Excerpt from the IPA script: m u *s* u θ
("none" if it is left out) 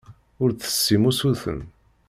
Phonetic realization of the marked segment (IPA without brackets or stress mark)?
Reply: s